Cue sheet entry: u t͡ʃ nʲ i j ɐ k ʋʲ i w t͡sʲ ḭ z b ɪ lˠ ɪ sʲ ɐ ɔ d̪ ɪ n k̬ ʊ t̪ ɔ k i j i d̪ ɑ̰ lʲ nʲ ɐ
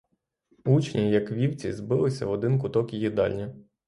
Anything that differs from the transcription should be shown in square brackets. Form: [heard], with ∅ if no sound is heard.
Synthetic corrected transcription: u t͡ʃ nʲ i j ɐ k ʋʲ i w t͡sʲ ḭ z b ɪ lˠ ɪ sʲ ɐ ɔ d̪ ɪ n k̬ ʊ t̪ ɔ k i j i d̪ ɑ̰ lʲ nʲ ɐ